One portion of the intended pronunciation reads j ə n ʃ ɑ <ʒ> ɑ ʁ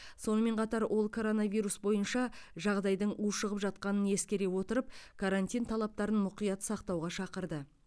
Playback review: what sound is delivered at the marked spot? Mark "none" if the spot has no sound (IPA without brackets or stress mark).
ʒ